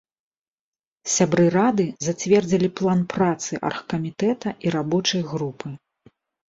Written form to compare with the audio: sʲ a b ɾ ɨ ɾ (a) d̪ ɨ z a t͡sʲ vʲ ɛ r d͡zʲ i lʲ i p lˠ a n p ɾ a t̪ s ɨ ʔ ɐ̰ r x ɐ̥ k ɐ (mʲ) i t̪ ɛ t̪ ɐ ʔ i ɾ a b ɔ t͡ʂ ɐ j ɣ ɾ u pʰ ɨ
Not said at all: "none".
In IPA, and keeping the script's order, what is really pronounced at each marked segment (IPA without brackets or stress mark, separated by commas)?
a, mʲ